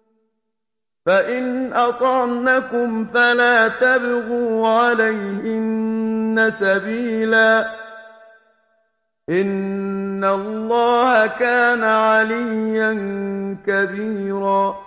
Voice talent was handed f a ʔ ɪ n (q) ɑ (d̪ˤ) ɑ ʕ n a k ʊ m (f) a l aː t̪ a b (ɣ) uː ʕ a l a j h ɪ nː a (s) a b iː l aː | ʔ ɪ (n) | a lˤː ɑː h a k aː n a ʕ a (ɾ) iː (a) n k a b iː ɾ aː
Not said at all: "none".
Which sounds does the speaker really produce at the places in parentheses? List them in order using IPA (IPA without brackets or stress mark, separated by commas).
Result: ʔ, t̪ˤ, f, ɣ, s, nː, l, a